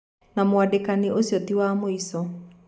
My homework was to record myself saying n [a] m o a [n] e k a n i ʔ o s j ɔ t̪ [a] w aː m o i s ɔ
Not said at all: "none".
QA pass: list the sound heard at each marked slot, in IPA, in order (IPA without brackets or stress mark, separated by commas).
a, d, i